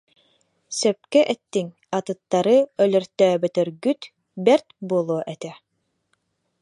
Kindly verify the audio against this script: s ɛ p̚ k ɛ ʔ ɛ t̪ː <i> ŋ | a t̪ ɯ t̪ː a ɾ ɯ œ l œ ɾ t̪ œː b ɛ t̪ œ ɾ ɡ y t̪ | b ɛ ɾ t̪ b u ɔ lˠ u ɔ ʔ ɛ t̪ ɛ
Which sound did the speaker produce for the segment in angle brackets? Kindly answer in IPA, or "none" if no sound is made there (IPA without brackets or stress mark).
i